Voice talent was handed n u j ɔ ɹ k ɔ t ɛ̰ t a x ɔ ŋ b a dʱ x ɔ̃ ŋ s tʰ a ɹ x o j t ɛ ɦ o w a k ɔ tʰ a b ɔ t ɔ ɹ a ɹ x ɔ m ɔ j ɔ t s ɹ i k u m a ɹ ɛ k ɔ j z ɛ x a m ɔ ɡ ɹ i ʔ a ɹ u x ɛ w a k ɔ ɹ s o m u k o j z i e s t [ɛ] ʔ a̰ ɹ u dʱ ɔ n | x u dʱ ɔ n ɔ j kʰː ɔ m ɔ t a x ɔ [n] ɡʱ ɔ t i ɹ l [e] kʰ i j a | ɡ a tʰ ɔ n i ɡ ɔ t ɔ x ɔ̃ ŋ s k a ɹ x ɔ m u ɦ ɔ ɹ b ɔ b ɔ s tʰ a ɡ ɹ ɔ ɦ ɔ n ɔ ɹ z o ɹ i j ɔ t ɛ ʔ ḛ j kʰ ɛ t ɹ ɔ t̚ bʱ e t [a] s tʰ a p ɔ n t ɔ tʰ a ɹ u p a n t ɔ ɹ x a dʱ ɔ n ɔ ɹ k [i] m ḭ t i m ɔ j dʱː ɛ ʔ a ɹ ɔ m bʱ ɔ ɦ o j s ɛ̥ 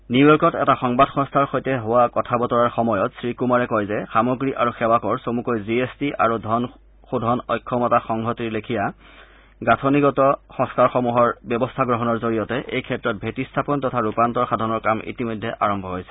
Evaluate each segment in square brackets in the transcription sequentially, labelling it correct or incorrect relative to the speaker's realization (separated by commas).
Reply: incorrect, incorrect, correct, incorrect, incorrect